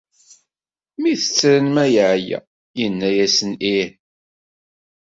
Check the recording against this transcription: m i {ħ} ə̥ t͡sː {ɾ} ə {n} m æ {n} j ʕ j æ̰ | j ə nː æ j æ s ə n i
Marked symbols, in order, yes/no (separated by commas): no, yes, yes, no